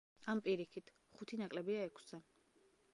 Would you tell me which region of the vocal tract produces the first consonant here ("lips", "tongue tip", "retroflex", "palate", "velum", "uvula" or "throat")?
lips